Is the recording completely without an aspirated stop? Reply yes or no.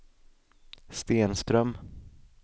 yes